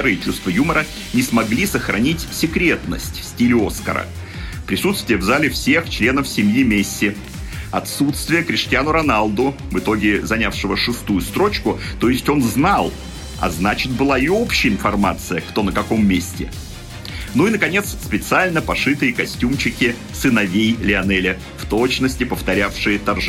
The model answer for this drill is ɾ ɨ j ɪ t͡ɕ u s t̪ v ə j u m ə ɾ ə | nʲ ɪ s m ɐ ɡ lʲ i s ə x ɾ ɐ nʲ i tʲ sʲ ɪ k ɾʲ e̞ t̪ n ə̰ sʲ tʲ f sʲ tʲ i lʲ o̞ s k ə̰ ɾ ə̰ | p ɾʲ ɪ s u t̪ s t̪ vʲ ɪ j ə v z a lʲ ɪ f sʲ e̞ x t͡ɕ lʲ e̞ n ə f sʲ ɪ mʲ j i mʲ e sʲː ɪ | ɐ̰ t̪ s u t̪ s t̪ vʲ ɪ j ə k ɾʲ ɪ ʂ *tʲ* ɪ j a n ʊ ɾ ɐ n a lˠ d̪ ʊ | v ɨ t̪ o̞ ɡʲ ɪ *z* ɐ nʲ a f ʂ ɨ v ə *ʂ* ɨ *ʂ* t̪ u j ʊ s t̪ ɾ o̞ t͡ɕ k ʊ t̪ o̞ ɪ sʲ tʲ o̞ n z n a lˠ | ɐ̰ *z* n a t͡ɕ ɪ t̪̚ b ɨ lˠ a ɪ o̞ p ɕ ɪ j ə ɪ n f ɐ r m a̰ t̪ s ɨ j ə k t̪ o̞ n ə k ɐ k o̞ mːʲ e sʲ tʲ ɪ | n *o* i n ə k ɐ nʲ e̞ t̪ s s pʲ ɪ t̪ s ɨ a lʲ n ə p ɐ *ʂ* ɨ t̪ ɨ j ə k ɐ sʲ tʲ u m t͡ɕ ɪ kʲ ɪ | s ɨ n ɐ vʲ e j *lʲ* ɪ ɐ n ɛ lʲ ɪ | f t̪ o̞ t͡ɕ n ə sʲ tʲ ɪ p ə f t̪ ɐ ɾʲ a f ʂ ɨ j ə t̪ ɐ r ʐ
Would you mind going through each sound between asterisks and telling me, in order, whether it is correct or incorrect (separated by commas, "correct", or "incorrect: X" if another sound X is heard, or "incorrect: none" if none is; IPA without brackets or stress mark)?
correct, correct, correct, incorrect: s, correct, incorrect: u, correct, correct